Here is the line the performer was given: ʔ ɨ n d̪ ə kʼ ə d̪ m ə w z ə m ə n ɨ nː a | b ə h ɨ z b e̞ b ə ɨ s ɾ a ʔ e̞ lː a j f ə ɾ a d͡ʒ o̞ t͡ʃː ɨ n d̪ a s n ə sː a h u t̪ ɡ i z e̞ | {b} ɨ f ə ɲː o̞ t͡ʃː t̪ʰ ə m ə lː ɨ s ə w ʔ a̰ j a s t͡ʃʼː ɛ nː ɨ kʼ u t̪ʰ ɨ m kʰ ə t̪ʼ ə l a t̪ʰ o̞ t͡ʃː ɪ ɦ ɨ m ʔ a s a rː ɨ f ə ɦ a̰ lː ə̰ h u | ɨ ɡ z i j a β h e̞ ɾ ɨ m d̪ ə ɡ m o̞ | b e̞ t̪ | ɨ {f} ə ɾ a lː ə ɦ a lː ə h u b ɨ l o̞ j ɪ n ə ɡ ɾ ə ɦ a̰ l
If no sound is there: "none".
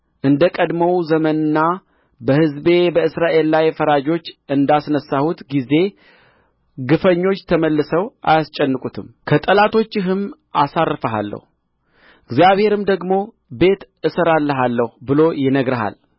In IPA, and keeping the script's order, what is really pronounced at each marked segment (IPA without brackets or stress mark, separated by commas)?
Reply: ɡ, s